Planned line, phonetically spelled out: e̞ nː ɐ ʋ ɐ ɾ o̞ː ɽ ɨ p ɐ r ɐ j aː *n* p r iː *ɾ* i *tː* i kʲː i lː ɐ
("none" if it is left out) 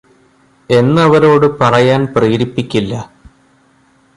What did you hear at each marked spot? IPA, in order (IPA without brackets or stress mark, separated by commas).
n, ɾ, pː